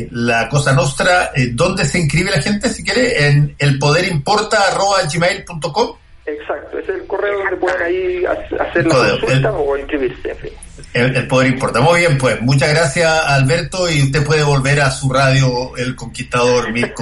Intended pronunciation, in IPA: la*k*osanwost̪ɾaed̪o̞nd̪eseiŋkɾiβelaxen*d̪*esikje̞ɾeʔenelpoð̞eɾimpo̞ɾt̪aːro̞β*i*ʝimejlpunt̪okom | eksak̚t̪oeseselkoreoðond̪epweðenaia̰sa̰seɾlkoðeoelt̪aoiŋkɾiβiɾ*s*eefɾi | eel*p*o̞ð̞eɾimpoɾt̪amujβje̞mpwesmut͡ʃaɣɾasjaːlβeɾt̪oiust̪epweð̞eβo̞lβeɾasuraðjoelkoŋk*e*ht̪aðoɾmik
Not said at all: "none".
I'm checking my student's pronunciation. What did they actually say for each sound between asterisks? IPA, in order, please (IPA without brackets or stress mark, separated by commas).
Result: k, t̪, a, s, p, i